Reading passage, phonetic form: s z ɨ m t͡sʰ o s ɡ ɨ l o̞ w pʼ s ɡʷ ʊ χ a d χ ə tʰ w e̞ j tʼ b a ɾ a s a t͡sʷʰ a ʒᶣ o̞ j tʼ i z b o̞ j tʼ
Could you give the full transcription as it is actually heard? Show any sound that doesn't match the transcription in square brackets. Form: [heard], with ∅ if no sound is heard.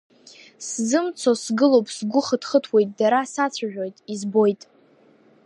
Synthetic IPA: s z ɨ m t͡sʰ o s ɡ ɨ l o̞ w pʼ s ɡʷ ʊ χ [ə] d χ ə tʰ w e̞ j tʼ [d] a ɾ a s a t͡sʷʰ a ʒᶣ o̞ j tʼ i z b o̞ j tʼ